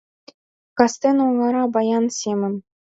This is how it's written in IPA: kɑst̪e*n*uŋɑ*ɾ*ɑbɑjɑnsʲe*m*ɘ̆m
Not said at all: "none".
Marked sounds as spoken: n, ɾ, m

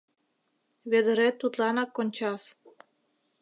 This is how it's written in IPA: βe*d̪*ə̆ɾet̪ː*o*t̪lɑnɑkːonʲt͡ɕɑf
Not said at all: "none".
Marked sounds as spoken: d̪, u

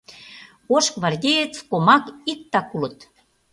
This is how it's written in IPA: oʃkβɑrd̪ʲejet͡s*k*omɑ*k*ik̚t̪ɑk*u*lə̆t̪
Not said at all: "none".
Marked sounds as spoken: k, k, u

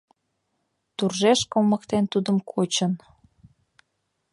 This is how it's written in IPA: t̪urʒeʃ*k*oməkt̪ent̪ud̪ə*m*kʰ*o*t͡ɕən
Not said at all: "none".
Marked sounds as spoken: k, m, o

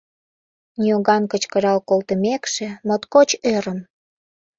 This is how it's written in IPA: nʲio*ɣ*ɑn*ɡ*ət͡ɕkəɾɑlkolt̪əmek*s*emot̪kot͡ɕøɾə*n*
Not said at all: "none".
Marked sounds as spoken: ɣ, k, ʃ, m

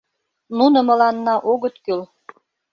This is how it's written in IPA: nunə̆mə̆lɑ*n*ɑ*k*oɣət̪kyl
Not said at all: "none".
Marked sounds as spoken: nː, ʔ

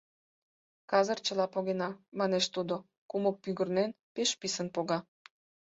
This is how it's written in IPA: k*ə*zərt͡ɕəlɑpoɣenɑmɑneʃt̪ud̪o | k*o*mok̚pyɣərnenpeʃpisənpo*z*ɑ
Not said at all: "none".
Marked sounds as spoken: ɑ, u, ɣ

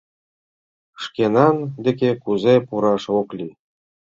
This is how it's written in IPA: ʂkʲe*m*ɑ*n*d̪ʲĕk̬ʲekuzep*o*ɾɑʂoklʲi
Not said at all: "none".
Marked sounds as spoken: n, n, u

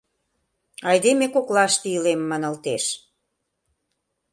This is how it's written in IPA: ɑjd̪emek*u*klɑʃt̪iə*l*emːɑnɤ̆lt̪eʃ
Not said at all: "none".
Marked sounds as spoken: o, l

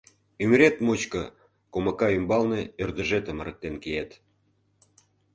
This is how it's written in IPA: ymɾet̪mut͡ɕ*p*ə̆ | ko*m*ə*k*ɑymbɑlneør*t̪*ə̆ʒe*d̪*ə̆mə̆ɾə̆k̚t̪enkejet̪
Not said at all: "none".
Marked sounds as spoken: k, m, k, d̪, t̪

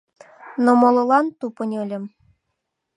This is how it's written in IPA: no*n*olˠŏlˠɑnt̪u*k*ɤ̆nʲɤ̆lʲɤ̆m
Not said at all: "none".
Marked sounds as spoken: m, p

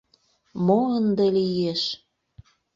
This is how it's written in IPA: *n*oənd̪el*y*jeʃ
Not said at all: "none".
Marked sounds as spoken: m, i

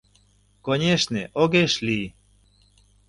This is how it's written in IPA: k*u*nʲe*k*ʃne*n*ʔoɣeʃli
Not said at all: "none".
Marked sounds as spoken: o, none, none

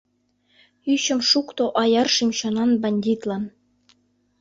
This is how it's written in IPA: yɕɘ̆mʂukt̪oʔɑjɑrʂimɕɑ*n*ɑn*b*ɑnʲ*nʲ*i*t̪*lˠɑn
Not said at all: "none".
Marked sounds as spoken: n, b, dʲ, t̪

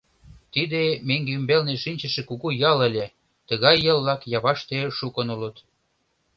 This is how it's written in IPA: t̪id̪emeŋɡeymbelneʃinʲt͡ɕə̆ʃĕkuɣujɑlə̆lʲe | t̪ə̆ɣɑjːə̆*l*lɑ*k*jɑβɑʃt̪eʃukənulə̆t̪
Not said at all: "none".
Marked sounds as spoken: l, k

